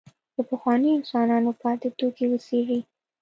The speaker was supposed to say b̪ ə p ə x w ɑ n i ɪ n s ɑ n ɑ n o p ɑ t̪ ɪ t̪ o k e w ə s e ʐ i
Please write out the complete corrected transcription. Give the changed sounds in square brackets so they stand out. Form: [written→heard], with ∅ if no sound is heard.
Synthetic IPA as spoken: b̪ ə p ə x w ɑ n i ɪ n s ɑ n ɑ n o p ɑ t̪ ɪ t̪ o k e w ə s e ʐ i